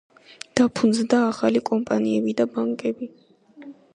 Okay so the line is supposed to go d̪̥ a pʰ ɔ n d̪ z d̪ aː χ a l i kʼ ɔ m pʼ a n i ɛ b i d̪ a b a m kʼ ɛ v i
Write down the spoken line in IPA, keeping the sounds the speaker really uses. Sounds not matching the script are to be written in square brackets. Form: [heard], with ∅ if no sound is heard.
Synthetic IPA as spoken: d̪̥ a pʰ [u] n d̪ z d̪ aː χ a l i kʼ ɔ m pʼ a n i ɛ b i d̪ a b a [ŋ] kʼ ɛ [b] i